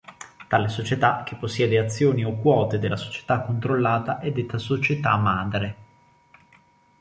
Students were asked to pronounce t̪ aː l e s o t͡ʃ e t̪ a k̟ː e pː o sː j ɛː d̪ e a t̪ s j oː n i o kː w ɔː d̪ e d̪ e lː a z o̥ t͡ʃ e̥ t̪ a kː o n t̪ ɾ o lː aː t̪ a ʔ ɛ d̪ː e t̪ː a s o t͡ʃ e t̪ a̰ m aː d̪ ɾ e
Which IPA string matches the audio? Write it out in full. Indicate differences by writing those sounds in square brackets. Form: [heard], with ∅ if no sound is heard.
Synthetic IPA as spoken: t̪ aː l e s o t͡ʃ e t̪ a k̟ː e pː o sː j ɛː d̪ e a t̪ [sː] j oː n i o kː w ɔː [t̪] e d̪ e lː a [s] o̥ t͡ʃ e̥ t̪ a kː o n t̪ ɾ o lː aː t̪ a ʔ ɛ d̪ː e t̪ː a s o t͡ʃ e t̪ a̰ m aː d̪ ɾ e